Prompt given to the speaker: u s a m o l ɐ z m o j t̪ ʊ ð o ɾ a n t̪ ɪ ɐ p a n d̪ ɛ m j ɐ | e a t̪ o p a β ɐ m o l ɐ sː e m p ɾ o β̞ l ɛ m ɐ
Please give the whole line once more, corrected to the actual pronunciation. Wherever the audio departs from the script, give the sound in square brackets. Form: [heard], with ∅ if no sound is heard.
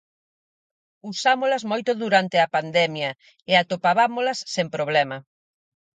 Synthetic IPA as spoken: u s a m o l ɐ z m o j t̪ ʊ ð [u] ɾ a n t̪ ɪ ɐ p a n d̪ ɛ m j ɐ | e a t̪ o p a β [a] m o l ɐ sː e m p ɾ o β̞ l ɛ m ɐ